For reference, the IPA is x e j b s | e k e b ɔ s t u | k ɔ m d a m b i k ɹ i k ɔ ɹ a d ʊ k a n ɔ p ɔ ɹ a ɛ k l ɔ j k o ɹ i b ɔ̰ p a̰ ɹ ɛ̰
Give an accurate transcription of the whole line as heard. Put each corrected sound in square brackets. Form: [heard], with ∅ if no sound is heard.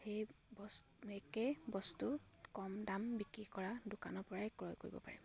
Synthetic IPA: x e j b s | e k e b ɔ s t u | k ɔ m d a m b i k ɹ i k ɔ ɹ a d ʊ k a n ɔ p ɔ ɹ a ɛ k [ɹ] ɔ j k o ɹ i b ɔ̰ p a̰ ɹ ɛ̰